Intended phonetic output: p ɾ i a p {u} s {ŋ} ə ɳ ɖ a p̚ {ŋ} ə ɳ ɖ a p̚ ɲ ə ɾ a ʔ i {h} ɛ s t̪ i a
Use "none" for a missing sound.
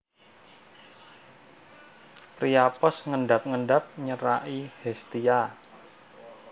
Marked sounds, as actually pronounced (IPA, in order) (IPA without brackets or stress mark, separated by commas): ɔ, ŋ, ŋ, h